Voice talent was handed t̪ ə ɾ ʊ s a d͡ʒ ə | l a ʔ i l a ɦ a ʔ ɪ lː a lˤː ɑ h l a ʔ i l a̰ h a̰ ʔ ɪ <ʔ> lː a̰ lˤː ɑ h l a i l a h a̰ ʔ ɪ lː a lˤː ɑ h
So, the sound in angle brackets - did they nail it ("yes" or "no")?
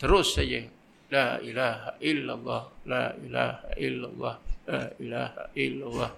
no